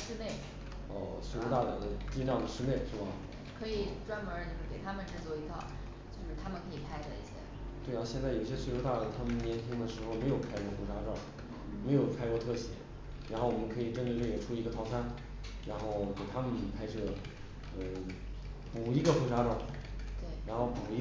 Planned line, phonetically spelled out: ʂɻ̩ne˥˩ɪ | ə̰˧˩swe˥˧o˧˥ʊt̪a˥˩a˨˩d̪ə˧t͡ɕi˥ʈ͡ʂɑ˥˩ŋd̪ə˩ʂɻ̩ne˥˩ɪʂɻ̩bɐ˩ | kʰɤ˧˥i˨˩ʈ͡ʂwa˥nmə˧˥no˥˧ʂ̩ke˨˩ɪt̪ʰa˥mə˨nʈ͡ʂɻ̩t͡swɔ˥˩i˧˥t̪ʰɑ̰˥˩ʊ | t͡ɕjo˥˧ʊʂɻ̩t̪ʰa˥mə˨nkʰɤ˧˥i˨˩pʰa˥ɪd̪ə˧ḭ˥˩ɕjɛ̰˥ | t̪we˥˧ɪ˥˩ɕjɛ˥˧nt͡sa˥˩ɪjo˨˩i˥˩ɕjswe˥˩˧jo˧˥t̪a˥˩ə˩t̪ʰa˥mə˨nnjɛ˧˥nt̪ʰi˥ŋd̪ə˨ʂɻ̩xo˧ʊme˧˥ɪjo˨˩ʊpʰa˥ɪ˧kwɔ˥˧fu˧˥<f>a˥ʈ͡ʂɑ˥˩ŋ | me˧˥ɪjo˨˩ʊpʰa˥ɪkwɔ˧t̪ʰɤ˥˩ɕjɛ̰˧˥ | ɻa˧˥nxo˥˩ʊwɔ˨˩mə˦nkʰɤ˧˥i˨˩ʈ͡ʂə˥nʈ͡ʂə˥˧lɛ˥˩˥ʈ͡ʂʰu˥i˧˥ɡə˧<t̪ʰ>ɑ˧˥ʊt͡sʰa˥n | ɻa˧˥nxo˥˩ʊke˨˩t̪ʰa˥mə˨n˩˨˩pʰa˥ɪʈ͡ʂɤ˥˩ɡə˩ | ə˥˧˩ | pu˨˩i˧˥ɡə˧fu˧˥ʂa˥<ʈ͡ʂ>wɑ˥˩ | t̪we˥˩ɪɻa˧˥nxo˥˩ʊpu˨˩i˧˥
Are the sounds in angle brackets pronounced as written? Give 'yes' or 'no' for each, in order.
no, yes, yes

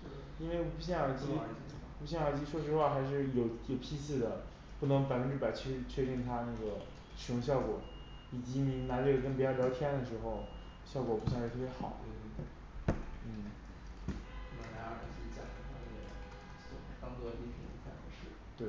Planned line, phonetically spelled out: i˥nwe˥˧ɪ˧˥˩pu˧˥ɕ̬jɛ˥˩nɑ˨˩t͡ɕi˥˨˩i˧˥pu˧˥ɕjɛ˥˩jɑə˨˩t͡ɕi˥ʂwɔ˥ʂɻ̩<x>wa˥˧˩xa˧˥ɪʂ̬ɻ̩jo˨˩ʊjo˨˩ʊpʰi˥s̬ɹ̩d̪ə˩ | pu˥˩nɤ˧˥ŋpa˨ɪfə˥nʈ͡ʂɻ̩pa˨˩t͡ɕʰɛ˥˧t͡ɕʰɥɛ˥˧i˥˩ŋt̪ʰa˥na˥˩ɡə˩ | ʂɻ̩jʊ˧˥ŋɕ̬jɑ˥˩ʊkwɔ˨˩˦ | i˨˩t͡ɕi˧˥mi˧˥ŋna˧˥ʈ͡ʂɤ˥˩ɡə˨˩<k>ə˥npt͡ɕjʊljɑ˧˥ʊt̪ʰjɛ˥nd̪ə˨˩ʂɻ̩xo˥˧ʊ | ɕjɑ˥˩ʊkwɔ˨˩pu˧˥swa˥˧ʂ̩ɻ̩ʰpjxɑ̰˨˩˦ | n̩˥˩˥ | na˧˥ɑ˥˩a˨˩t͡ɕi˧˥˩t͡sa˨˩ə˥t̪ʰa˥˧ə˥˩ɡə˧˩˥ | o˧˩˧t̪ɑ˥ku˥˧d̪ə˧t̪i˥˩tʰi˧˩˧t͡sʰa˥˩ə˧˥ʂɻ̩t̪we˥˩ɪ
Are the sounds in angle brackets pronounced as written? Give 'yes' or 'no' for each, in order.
yes, yes

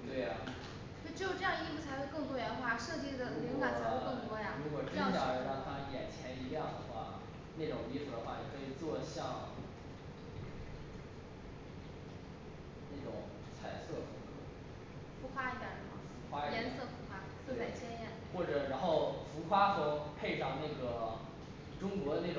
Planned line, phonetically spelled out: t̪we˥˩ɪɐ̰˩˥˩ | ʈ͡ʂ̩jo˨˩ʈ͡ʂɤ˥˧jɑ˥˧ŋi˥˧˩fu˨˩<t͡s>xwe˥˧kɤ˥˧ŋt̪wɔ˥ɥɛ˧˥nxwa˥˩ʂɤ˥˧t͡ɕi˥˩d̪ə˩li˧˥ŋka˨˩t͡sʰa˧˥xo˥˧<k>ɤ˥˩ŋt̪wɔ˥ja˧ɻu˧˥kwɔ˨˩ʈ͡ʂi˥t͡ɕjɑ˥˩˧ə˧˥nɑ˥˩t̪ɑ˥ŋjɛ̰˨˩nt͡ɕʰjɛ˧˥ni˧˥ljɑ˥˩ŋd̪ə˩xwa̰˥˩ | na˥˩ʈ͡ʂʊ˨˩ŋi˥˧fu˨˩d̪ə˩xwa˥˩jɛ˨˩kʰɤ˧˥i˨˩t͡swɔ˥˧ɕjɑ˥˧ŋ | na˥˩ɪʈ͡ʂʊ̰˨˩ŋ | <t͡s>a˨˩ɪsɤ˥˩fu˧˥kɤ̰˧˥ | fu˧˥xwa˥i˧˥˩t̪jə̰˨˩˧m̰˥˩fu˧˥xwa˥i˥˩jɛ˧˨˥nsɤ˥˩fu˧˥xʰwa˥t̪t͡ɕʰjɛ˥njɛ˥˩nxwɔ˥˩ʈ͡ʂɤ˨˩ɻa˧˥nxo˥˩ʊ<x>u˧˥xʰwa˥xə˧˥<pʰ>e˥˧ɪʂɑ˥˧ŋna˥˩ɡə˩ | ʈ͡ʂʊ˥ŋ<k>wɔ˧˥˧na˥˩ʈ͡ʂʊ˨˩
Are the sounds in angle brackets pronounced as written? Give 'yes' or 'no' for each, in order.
no, yes, no, no, yes, yes

